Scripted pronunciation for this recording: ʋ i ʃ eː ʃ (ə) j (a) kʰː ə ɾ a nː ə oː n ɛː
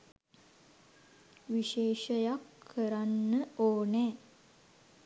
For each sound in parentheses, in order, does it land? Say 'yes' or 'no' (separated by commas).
yes, yes